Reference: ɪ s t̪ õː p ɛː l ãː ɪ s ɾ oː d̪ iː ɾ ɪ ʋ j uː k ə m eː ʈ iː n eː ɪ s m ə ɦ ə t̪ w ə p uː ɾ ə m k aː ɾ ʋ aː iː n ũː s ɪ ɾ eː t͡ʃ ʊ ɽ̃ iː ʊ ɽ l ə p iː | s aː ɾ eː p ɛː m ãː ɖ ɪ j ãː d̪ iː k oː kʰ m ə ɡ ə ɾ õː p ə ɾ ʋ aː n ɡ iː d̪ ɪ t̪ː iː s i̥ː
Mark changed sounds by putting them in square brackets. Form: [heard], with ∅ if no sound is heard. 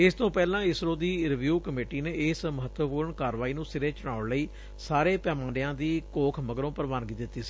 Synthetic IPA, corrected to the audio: ɪ s t̪ õː p ɛː l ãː ɪ s ɾ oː d̪ iː ɾ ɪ ʋ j uː k ə m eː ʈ iː n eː ɪ s m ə ɦ ə t̪ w ə p uː ɾ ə [ɳ] k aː ɾ ʋ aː iː n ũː s ɪ ɾ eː t͡ʃ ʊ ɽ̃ [aː] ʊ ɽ l ə [∅] iː | s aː ɾ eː p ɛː m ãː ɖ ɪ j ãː d̪ iː k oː kʰ m ə ɡ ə ɾ õː p ə ɾ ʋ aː n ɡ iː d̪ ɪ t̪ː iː s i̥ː